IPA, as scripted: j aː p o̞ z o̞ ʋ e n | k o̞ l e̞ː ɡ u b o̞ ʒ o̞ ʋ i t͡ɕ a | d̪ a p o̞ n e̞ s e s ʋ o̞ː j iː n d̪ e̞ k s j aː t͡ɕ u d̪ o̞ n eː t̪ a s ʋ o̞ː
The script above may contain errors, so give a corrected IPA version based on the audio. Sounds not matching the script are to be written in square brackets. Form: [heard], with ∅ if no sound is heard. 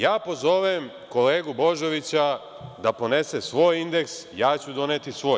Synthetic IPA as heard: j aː p o̞ z o̞ ʋ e [m] | k o̞ l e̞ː ɡ u b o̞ ʒ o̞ ʋ i t͡ɕ a | d̪ a p o̞ n e̞ s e s ʋ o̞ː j [i] n d̪ e̞ k s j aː t͡ɕ u d̪ o̞ n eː t̪ [i] s ʋ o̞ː